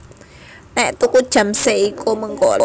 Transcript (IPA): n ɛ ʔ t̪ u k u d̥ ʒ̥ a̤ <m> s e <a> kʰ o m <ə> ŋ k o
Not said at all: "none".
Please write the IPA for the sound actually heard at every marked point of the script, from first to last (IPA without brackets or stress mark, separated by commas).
m, i, ə